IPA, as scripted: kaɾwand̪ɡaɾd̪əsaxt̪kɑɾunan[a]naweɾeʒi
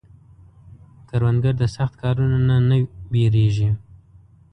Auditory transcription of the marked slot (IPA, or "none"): a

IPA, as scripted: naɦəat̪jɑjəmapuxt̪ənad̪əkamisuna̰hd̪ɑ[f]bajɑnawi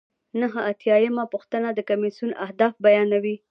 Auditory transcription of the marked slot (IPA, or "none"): f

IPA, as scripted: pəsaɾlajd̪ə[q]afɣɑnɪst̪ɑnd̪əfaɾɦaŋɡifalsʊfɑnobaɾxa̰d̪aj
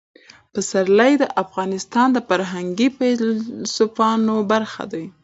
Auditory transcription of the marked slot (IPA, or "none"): ʔ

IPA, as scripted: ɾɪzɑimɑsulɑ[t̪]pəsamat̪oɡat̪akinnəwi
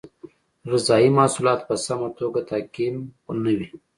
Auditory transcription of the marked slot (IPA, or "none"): t̪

